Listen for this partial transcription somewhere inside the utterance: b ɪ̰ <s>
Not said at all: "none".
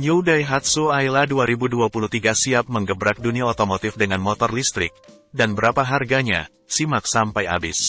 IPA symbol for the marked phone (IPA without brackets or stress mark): s